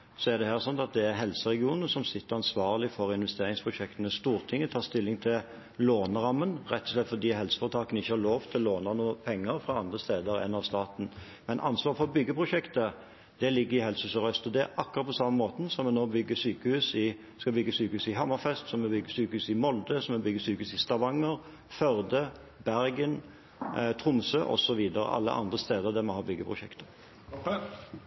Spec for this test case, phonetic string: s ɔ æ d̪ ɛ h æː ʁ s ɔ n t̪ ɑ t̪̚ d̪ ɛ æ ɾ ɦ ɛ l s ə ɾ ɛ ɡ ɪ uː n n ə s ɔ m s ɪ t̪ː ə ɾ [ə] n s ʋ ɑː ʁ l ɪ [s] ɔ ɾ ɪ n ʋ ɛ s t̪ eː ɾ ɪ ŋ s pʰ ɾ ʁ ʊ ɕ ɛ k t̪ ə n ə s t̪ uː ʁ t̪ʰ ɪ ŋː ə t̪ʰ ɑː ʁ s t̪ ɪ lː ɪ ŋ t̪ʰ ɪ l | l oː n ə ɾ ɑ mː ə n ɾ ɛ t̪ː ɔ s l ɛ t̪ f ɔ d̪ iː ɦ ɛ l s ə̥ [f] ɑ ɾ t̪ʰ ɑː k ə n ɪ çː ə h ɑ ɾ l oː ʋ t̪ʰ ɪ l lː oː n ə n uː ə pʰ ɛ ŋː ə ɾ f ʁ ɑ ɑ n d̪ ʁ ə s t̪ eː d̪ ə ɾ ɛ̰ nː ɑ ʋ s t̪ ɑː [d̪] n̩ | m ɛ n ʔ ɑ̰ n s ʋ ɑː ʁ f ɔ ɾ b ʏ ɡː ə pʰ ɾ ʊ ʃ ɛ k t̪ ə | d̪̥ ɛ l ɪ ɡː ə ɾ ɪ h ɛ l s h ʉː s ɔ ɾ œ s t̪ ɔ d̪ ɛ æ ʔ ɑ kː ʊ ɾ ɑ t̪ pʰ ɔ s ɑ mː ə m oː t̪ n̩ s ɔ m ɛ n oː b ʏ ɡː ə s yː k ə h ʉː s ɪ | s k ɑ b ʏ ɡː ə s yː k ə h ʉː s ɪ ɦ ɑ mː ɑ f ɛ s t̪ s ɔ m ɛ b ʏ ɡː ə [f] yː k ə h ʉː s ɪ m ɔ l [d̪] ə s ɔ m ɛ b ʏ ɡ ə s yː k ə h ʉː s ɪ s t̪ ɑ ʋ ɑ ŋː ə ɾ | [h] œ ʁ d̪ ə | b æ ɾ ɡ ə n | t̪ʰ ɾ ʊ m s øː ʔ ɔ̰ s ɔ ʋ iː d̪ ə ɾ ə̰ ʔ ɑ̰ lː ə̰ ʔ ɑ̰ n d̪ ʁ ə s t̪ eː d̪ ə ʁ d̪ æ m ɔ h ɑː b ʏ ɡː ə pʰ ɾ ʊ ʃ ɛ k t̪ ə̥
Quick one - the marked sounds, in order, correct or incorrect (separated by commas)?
incorrect, incorrect, correct, incorrect, incorrect, correct, incorrect